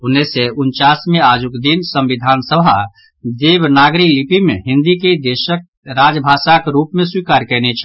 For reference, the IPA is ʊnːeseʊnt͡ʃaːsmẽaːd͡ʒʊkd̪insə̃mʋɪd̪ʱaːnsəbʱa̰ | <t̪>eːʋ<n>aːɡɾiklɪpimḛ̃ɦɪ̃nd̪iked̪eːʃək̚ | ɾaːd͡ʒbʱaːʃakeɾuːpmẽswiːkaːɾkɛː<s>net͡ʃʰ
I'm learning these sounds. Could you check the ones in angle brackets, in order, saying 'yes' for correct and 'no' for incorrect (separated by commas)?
no, yes, no